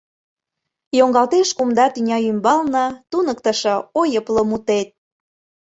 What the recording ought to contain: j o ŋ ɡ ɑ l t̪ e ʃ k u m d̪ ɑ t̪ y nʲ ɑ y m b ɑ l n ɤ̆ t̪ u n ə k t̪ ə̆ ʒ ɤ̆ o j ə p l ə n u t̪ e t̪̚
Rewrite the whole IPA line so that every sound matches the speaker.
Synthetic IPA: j o ŋ ɡ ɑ l t̪ e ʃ k u m d̪ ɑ t̪ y nʲ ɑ y m b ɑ l n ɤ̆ t̪ u n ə k t̪ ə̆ ʃ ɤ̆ o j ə p l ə m u t̪ e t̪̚